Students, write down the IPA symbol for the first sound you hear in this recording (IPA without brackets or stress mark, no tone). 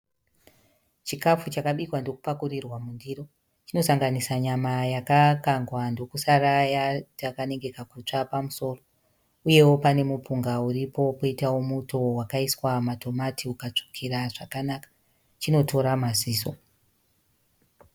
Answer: t͡ʃ